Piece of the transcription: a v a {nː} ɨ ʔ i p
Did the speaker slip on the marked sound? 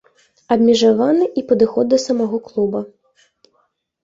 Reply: yes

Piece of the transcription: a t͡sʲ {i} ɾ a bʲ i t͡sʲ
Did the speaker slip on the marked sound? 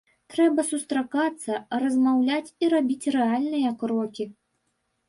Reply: no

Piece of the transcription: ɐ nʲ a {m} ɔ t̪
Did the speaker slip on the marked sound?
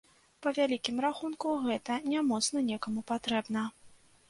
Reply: no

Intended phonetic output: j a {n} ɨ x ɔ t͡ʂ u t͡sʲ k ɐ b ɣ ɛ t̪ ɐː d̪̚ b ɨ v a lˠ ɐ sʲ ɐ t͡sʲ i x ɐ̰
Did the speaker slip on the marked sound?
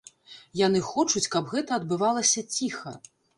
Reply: no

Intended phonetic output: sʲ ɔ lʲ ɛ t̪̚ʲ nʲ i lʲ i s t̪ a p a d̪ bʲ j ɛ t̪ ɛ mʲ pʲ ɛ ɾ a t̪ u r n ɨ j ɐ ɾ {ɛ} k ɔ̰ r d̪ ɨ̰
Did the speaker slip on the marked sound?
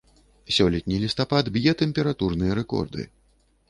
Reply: no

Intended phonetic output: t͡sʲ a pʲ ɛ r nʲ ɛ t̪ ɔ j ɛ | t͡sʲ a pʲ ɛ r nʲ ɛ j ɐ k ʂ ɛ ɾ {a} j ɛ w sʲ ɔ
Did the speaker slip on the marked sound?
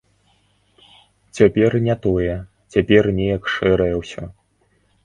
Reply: yes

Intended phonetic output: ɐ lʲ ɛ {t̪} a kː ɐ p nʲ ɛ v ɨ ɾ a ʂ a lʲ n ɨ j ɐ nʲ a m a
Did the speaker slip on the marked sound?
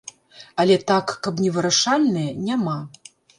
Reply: no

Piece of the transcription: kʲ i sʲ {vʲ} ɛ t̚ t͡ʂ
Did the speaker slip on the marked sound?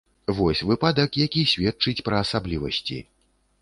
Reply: no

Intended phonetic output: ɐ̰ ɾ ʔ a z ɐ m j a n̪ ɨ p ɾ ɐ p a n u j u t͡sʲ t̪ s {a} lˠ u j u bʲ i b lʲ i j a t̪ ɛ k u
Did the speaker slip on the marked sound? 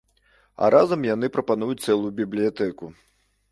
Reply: yes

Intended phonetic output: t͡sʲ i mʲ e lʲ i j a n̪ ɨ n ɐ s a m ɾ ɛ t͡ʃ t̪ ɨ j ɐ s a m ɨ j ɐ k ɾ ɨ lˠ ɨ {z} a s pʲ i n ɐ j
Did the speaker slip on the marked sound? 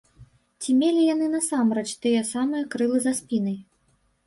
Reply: no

